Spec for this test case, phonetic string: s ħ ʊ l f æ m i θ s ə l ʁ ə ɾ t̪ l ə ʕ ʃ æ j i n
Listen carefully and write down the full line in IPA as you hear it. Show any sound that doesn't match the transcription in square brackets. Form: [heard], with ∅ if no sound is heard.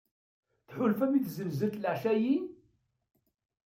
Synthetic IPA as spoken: [θ] ħ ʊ l f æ m i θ [z] ə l [z] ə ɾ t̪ l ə ʕ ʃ æ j i n